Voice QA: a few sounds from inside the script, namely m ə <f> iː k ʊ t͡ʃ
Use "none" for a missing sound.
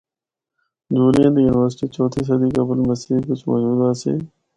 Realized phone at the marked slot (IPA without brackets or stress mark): s